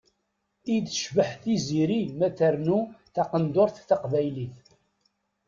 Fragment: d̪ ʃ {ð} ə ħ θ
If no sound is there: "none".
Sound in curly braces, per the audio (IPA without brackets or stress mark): v